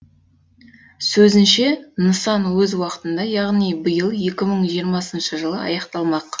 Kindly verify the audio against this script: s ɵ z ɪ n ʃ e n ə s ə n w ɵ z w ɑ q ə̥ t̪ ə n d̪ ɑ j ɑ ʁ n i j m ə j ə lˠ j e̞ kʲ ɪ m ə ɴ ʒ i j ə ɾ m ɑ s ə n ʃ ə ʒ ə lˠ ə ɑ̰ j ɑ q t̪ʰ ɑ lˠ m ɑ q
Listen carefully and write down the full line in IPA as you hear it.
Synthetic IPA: s ɵ z ɪ n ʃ e n ə s ɑ n w ɵ z w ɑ q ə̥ t̪ ə n d̪ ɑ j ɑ ʁ n i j b ə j ə lˠ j e̞ kʲ ɪ m ə ɴ ʒ i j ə ɾ m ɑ s ə n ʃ ə ʒ ə lˠ ə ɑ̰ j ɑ q t̪ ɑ lˠ m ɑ q